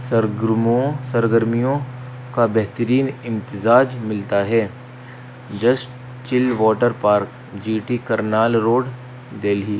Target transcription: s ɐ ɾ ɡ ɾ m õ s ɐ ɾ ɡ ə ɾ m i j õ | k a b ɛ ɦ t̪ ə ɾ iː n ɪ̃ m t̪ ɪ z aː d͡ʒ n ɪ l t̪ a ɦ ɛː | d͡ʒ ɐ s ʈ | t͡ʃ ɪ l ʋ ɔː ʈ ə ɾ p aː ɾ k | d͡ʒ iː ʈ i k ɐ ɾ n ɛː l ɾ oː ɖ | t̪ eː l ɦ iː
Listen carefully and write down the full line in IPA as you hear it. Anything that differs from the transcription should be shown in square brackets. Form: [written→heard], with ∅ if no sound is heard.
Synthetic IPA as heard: s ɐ ɾ ɡ ɾ m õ s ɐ ɾ ɡ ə ɾ m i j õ | k a b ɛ ɦ t̪ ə ɾ iː n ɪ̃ m t̪ ɪ z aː d͡ʒ [n→m] ɪ l t̪ a ɦ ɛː | d͡ʒ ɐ s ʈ | t͡ʃ ɪ l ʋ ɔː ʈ ə ɾ p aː ɾ k | d͡ʒ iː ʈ i k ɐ ɾ n [ɛː→aː] l ɾ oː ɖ | [t̪→d̪] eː l ɦ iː